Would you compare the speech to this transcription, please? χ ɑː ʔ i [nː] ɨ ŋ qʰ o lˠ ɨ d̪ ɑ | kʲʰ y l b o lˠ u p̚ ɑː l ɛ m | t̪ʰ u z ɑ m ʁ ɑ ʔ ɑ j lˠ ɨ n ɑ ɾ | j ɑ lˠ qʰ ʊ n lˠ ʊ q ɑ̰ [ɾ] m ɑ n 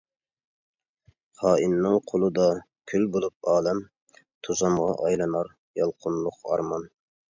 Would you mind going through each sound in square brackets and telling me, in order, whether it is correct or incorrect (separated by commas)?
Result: correct, correct